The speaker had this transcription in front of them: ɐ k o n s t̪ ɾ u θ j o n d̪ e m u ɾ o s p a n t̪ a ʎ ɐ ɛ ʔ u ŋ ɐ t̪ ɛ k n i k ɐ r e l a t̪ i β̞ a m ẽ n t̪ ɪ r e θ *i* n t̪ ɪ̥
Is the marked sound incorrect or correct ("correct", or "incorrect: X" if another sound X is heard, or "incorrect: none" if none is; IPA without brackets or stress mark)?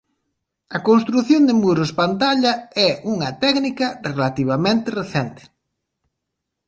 incorrect: ɛ